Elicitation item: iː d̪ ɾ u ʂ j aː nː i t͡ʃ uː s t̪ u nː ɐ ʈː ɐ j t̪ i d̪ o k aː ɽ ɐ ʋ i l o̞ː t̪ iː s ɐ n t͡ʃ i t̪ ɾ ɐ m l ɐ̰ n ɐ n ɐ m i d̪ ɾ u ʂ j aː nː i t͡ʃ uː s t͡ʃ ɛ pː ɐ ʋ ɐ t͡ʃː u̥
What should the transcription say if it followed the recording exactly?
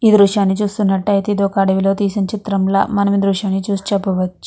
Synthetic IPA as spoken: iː d̪ ɾ u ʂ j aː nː i t͡ʃ uː s t̪ u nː ɐ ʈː ɐ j t̪ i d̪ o k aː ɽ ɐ ʋ i l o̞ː t̪ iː s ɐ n t͡ʃ i t̪ ɾ ɐ m l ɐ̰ m ɐ n ɐ m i d̪ ɾ u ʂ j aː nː i t͡ʃ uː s t͡ʃ ɛ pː ɐ ʋ ɐ t͡ʃː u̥

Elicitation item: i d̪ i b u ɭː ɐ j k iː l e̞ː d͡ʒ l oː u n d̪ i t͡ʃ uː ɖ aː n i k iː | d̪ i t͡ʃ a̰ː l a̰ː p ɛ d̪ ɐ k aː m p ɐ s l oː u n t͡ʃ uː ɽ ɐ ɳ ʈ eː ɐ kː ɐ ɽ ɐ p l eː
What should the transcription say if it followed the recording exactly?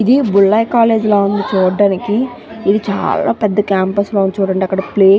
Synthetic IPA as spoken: i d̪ i b u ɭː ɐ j k aː l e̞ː d͡ʒ l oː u n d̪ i t͡ʃ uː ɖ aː n i k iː | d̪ i t͡ʃ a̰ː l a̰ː p ɛ d̪ː ɐ k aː m p ɐ s l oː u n t͡ʃ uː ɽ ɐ ɳ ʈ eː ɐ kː ɐ ɽ ɐ p l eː

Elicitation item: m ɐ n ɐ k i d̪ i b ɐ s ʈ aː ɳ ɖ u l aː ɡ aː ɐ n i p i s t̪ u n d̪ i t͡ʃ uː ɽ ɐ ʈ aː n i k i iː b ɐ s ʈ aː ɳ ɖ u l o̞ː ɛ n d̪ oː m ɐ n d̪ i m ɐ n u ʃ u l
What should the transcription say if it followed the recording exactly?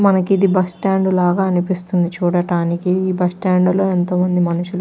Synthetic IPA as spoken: m ɐ n ɐ k i d̪ i b ɐ s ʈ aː ɳ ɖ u l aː ɡ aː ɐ n i p i s t̪ u n d̪ i t͡ʃ uː ɽ ɐ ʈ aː n i k i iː b ɐ s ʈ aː ɳ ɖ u l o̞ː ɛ n t̪ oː m ɐ n d̪ i m ɐ n u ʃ u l

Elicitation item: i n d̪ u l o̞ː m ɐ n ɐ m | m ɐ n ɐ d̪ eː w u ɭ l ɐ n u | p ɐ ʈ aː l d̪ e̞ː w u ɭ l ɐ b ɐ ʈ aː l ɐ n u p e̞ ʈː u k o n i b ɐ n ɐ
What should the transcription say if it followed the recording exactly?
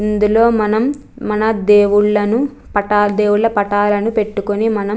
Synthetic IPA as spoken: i n d̪ u l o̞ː m ɐ n ɐ m | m ɐ n ɐ d̪ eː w u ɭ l ɐ n u | p ɐ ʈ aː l d̪ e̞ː w u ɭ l ɐ p ɐ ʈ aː l ɐ n u p e̞ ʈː u k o n i m ɐ n ɐ

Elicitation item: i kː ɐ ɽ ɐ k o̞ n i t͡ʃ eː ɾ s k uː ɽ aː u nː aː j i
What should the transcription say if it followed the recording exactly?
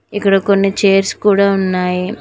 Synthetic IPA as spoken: i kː ɐ ɽ ɐ k o̞ nː i t͡ʃ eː ɾ s k uː ɽ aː u nː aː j i

